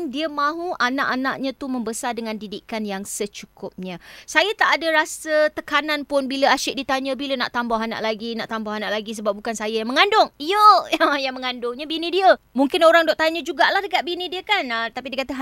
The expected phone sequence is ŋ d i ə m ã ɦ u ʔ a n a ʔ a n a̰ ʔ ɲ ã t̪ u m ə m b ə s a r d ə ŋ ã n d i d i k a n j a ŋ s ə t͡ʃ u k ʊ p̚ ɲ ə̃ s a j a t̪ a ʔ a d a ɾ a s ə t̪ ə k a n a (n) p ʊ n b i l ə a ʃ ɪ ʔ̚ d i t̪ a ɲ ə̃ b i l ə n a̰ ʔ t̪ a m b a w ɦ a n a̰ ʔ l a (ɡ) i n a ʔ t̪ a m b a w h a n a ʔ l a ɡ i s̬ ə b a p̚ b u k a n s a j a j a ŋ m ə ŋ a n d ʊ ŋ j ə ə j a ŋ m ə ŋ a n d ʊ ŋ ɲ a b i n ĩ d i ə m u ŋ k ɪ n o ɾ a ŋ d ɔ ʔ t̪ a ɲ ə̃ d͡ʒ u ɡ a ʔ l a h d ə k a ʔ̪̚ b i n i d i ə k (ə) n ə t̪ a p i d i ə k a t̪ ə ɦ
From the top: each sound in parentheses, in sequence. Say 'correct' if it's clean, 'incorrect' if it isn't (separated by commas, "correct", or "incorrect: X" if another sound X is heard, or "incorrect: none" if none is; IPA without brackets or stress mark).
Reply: correct, correct, incorrect: a